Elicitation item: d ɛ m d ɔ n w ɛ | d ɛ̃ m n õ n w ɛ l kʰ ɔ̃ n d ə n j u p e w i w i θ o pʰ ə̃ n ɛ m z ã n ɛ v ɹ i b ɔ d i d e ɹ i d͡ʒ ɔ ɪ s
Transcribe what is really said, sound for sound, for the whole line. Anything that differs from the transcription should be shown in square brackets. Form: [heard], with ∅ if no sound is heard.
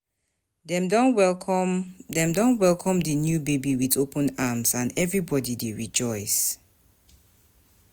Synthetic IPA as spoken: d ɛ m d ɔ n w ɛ | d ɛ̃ m [d] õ n w ɛ l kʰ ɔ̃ [m] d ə n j u [b] e [b] i w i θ o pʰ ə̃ n [a] m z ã n ɛ v ɹ i b ɔ d i d e ɹ i d͡ʒ ɔ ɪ s

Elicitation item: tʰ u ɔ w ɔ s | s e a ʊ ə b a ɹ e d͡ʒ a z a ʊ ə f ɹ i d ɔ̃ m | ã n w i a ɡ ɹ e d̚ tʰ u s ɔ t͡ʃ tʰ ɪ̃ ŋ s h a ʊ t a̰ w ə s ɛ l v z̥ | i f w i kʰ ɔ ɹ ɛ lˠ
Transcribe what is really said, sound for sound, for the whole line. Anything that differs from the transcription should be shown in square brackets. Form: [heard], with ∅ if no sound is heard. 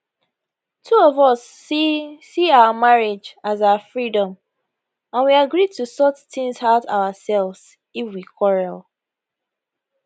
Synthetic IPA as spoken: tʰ u ɔ [v] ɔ s | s [i] a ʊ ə [m] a ɹ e d͡ʒ a z a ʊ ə f ɹ i d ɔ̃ m | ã n w i a ɡ ɹ [i] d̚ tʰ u s ɔ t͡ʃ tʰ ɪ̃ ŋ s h a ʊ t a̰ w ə s ɛ l v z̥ | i f w i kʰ ɔ ɹ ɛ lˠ

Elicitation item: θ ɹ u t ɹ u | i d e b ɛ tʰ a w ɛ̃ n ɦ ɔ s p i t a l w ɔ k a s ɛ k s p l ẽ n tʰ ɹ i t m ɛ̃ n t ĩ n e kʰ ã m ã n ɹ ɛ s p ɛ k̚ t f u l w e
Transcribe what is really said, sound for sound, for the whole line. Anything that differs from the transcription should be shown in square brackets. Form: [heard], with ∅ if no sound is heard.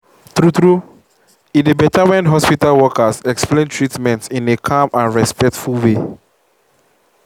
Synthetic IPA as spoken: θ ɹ u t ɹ u | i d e b ɛ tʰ a w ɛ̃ n ɦ ɔ s p i t a l w ɔ k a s ɛ k s p l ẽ n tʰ ɹ i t m ɛ̃ n t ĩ n e kʰ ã m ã n ɹ ɛ s p ɛ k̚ t f u l w e

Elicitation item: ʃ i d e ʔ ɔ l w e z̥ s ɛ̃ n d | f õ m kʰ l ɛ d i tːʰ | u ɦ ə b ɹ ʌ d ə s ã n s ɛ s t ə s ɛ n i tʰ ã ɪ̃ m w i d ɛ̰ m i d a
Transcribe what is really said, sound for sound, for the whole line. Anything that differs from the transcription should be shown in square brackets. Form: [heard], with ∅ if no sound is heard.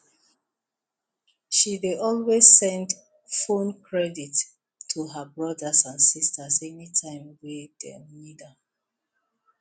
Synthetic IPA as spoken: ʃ i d e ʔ ɔ l w e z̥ s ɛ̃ n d | f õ [n] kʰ [ɹ] ɛ d i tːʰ | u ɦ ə b ɹ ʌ d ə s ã n s [i] s t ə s ɛ n i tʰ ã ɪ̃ m w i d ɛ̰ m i d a

